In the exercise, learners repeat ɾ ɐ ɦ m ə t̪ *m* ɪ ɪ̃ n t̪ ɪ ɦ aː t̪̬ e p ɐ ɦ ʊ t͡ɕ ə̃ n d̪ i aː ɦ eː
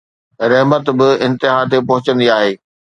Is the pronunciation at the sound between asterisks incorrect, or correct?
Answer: incorrect: b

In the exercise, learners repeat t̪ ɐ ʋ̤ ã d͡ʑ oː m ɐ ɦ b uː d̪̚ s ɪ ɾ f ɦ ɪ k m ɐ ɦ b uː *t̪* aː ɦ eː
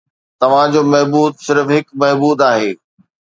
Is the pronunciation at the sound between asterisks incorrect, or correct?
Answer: incorrect: d̪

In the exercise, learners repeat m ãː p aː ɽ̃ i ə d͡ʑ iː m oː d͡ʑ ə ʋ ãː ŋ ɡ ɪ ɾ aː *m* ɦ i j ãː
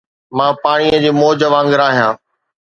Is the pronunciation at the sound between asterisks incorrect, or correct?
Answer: incorrect: none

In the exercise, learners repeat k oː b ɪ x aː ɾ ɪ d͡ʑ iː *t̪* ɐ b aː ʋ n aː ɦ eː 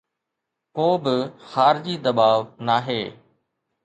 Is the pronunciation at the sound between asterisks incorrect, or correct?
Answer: incorrect: d̪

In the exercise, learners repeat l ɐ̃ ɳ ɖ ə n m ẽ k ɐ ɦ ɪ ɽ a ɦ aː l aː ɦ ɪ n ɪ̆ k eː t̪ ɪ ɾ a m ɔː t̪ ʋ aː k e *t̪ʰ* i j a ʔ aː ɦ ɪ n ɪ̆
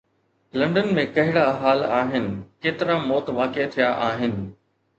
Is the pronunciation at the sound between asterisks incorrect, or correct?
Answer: correct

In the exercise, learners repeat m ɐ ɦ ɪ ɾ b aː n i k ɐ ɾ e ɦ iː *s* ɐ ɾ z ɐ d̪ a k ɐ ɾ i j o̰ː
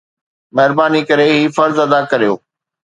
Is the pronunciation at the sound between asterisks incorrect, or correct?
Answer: incorrect: f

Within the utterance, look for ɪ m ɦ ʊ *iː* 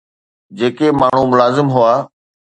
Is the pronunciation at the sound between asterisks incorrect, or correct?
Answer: incorrect: aː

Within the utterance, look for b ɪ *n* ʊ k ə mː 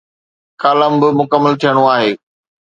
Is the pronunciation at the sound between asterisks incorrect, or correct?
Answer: incorrect: m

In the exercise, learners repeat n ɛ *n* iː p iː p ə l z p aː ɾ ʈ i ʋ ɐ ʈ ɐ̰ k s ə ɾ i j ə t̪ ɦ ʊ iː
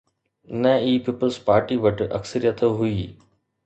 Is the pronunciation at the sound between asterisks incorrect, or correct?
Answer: incorrect: none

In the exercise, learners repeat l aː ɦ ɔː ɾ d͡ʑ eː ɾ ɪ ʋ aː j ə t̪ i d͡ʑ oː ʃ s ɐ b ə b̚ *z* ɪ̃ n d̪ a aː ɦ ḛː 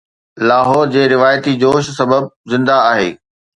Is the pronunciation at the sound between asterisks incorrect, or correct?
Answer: correct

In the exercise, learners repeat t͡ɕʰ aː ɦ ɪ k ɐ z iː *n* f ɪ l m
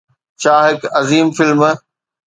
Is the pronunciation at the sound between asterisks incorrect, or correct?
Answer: incorrect: m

